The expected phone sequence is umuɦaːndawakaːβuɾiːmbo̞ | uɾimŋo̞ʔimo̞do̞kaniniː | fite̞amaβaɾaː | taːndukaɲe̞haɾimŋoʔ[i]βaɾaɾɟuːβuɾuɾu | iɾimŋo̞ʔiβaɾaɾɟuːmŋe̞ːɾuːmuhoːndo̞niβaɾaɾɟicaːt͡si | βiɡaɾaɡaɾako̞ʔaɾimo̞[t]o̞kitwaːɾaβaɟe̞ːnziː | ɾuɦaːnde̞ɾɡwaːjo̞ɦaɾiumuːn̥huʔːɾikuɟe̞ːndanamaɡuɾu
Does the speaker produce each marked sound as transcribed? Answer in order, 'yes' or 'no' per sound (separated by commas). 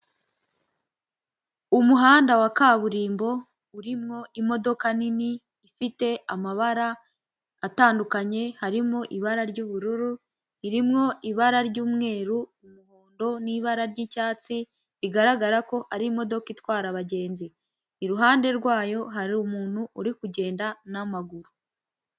yes, no